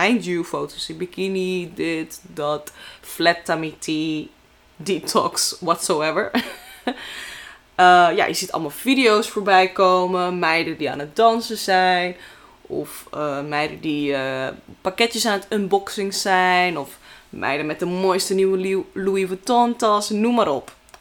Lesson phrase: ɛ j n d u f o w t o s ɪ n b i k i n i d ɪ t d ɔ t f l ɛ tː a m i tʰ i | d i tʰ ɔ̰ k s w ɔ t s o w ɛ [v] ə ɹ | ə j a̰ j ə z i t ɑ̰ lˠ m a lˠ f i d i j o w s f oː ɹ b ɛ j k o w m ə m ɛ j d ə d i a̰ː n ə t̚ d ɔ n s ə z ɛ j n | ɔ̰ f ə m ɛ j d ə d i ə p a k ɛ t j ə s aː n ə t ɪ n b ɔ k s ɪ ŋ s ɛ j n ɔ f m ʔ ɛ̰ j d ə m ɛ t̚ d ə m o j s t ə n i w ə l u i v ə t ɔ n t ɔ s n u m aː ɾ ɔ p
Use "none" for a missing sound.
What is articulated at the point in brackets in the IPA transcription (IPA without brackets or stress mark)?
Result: v